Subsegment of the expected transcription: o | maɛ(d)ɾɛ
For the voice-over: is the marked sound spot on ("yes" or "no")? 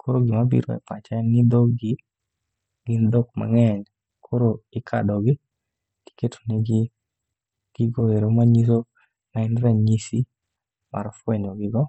no